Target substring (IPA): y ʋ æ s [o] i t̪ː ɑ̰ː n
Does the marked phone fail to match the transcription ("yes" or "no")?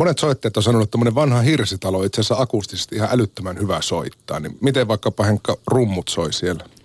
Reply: no